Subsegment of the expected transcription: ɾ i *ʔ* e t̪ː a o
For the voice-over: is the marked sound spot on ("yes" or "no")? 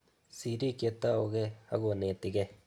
no